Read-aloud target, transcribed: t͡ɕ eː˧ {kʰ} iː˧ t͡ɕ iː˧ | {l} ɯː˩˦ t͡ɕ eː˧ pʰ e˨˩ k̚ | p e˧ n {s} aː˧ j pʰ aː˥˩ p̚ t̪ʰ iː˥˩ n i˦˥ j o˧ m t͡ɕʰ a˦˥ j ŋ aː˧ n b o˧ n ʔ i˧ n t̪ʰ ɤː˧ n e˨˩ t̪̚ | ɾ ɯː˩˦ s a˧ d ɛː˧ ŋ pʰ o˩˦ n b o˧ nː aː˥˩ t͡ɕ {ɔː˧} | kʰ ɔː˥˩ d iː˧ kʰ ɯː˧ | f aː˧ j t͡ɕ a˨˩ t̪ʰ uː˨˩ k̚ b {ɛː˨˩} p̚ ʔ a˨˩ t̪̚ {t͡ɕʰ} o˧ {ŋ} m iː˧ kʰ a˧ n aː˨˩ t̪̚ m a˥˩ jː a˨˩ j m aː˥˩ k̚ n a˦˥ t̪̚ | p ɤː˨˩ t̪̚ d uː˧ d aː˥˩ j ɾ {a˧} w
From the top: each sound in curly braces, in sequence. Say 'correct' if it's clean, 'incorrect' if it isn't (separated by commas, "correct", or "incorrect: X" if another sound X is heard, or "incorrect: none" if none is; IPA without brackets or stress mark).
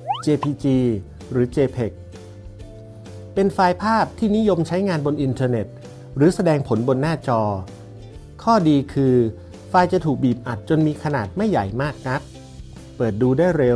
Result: incorrect: pʰ, incorrect: ɾ, incorrect: f, correct, incorrect: iː˨˩, incorrect: t͡ɕ, incorrect: n, incorrect: e˧